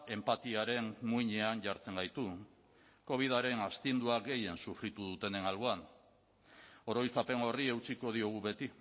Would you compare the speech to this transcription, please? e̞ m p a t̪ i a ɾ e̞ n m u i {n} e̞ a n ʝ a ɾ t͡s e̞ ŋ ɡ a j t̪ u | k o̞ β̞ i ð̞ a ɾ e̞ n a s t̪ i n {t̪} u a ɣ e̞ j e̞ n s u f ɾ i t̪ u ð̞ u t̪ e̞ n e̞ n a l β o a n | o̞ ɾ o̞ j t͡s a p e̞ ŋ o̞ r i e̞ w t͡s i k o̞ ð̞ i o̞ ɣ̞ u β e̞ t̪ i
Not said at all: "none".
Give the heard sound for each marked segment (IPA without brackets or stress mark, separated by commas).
ɲ, d̪